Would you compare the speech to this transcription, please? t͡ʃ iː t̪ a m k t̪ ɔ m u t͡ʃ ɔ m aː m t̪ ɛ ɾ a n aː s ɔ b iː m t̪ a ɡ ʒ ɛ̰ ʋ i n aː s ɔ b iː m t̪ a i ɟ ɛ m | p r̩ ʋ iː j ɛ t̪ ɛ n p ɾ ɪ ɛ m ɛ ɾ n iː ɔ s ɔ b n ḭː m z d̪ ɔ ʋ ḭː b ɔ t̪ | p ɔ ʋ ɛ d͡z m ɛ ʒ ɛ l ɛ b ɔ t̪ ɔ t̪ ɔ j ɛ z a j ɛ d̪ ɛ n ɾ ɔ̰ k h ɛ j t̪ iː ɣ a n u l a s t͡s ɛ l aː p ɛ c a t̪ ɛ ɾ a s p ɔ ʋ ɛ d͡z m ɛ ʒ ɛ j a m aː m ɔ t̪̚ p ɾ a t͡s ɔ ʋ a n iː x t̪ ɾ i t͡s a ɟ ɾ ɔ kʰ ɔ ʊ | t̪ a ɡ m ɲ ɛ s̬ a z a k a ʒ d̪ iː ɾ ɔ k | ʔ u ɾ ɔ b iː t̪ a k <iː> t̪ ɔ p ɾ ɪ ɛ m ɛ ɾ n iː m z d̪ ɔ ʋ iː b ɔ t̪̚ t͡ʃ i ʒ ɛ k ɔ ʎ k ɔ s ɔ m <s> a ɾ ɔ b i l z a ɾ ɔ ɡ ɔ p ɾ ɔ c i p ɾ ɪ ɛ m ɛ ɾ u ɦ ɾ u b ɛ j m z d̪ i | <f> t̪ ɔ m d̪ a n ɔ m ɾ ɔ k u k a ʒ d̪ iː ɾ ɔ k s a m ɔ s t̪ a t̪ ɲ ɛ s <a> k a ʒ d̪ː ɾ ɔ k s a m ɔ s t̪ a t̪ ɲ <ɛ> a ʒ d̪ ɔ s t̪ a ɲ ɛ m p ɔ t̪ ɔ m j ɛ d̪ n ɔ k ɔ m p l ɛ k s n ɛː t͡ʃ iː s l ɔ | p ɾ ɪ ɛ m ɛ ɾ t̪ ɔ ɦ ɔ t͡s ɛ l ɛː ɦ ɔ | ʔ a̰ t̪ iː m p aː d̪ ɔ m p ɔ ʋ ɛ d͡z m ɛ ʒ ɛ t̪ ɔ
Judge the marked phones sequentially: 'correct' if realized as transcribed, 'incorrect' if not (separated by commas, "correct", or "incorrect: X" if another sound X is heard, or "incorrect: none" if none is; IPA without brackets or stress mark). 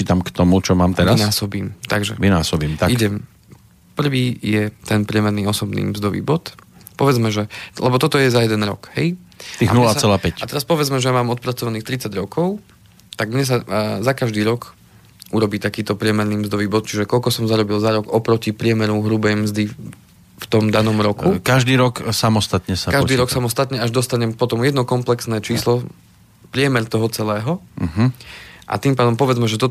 correct, incorrect: z, correct, correct, correct